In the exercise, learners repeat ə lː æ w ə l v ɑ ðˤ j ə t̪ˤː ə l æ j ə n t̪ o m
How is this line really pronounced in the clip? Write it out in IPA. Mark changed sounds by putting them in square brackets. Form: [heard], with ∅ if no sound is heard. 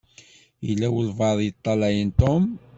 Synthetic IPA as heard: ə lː æ w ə l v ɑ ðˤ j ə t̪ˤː [ɑ] l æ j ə n t̪ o m